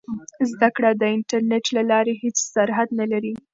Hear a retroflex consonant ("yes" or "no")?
yes